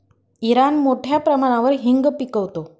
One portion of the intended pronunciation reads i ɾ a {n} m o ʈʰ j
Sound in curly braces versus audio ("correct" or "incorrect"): correct